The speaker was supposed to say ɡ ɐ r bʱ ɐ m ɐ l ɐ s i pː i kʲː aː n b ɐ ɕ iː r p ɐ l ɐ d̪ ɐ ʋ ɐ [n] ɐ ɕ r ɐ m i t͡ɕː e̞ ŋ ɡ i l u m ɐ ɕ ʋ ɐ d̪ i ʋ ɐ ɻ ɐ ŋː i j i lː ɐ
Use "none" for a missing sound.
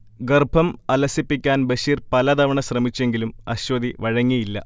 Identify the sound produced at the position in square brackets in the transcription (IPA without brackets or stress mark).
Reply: ɳ